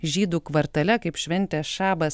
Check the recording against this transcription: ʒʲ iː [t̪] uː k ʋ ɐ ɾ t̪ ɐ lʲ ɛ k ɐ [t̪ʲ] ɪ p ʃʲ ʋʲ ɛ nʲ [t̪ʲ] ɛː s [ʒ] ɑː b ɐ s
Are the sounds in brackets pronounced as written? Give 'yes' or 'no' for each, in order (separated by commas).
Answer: no, no, yes, no